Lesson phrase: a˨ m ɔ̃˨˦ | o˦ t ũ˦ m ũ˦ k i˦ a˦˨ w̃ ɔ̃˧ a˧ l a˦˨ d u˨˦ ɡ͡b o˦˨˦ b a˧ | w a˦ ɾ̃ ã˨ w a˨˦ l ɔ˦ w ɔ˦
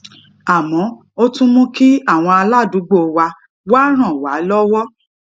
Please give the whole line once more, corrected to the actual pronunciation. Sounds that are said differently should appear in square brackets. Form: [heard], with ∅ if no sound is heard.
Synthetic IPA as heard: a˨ m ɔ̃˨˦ | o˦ t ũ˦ m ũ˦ k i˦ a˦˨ w̃ ɔ̃˧ a˧ l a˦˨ d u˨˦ ɡ͡b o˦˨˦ [w] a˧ | w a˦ ɾ̃ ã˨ w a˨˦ l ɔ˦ w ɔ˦